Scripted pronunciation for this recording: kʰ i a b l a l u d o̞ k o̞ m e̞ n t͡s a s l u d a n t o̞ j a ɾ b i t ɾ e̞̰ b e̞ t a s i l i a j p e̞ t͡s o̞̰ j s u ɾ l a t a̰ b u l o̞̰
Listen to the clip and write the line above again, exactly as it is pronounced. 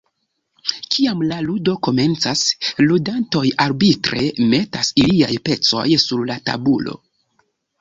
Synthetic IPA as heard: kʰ i a m l a l u d o̞ k o̞ m e̞ n t͡s a s l u d a n t o̞ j a ɾ b i t ɾ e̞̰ m e̞ t a s i l i a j p e̞ t͡s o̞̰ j s u ɾ l a t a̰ b u l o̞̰